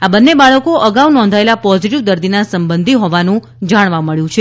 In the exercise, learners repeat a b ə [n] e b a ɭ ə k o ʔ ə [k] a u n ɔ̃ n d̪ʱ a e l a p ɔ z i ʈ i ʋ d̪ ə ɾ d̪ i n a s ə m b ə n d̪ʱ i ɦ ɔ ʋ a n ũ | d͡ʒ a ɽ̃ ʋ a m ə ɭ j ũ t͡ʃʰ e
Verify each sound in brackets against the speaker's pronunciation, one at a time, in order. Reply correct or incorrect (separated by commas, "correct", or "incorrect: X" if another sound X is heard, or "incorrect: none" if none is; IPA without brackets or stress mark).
incorrect: nː, incorrect: ɡ